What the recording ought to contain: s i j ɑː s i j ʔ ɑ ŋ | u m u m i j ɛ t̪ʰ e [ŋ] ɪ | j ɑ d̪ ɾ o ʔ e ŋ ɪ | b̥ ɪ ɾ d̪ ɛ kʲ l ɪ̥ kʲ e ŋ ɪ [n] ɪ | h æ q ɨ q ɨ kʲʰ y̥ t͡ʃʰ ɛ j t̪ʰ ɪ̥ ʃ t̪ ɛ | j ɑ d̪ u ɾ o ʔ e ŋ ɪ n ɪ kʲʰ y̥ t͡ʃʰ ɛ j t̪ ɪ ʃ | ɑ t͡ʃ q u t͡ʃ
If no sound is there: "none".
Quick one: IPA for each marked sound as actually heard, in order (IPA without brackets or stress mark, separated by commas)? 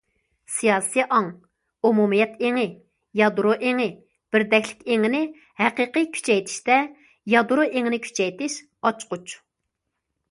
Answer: ŋ, n